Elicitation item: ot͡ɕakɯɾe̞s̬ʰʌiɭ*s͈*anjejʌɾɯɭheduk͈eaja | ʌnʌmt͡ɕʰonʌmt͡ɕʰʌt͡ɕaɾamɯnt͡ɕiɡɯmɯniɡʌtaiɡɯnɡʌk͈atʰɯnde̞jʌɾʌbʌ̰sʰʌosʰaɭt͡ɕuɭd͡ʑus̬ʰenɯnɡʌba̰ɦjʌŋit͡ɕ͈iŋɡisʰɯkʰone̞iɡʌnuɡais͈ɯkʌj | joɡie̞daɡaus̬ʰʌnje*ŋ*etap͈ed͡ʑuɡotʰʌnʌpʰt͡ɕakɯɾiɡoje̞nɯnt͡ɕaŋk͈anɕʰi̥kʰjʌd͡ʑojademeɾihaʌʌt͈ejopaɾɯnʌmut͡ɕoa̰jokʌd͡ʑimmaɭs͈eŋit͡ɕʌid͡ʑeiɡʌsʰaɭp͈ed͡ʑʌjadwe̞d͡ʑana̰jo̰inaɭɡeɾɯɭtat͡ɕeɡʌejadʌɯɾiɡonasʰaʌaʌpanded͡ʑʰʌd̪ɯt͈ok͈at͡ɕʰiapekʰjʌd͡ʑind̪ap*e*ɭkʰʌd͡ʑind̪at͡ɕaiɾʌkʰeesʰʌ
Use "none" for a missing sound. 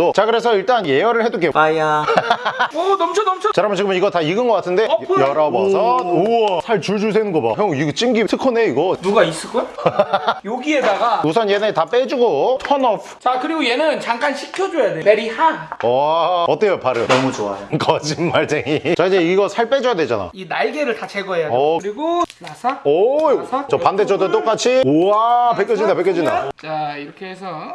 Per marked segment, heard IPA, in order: t͈, n, e

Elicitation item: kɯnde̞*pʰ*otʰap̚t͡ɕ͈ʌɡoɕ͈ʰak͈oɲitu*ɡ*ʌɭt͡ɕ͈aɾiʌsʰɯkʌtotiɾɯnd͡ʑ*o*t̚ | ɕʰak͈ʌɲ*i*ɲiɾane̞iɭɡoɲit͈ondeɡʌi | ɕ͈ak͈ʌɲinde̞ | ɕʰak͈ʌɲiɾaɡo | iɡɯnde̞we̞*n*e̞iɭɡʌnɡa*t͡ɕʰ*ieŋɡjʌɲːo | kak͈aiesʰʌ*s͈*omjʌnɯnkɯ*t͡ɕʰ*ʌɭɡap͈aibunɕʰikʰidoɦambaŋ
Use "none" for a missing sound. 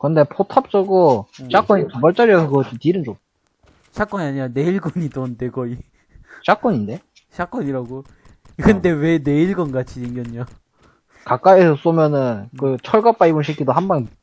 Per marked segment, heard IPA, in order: pʰ, b, o, a, n, t͡ɕʰ, s͈, t͡ɕʰ

